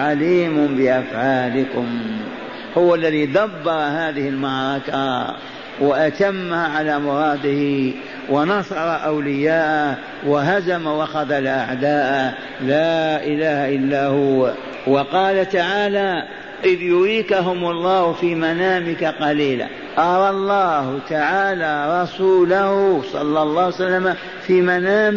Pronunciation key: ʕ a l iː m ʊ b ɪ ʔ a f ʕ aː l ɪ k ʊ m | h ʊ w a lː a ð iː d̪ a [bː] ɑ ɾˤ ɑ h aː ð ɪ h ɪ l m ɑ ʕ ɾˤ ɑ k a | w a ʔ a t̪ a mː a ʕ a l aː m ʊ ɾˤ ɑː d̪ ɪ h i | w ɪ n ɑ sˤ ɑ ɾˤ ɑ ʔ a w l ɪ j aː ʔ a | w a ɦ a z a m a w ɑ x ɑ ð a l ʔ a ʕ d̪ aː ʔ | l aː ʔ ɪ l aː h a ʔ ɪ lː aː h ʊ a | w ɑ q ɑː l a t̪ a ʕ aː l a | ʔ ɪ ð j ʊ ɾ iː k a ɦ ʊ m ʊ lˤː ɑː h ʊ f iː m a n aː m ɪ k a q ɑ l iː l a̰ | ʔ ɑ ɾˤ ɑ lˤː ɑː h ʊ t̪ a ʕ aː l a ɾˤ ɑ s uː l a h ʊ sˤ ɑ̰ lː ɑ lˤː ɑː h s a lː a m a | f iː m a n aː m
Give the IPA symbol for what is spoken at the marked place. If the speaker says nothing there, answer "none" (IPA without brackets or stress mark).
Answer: bː